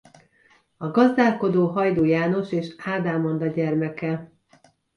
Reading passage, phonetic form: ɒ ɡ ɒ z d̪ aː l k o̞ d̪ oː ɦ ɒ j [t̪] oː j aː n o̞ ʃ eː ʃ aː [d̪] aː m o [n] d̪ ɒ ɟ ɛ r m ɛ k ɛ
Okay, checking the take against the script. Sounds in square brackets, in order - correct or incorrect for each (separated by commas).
incorrect, correct, correct